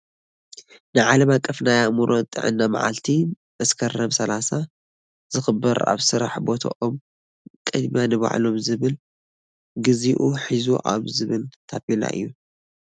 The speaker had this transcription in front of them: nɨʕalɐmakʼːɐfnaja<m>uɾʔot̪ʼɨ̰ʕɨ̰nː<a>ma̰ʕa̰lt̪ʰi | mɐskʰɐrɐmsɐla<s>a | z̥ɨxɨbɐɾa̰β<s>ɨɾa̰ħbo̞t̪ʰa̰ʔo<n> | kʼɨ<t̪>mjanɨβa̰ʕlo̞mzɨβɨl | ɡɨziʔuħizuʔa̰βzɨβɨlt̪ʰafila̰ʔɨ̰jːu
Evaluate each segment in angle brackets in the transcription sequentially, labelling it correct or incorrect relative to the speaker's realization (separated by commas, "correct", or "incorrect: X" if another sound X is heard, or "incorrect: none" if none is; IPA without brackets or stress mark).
correct, correct, correct, correct, incorrect: m, incorrect: d̪